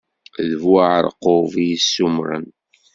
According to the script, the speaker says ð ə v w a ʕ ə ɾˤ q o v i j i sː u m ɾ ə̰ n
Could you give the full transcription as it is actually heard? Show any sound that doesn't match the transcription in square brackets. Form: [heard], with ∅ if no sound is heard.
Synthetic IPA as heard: ð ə v w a ʕ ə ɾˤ q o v i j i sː u m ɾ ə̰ n